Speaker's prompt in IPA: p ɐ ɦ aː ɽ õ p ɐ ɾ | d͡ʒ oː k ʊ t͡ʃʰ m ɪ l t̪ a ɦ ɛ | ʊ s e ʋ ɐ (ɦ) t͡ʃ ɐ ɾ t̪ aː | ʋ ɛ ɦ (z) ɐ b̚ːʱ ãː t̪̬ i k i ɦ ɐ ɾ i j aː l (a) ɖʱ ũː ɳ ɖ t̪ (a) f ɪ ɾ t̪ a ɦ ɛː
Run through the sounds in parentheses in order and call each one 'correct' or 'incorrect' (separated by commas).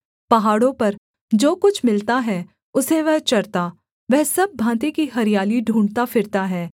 correct, incorrect, incorrect, correct